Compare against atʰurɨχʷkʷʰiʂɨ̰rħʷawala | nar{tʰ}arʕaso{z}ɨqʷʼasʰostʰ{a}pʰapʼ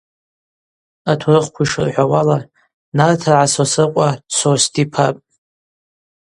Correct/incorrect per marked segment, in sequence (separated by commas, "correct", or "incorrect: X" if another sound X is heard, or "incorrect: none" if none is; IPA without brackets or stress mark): correct, incorrect: s, incorrect: i